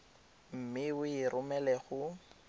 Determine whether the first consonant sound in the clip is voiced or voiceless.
voiced